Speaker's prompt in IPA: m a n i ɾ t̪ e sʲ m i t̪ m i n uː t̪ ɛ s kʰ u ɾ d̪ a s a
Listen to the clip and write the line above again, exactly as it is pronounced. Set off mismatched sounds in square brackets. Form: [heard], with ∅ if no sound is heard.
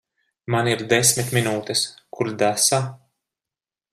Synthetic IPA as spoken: m a n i ɾ [d̪] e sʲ m i t̪ m i n uː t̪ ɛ s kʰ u ɾ d̪ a s a